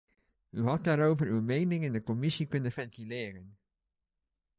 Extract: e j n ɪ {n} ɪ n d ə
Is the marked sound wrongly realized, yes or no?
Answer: yes